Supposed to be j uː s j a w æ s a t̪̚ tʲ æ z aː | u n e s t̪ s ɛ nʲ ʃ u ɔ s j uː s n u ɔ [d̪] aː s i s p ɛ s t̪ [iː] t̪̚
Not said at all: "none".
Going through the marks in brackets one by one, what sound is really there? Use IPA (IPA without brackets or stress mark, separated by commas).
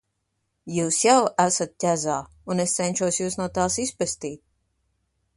t̪, iː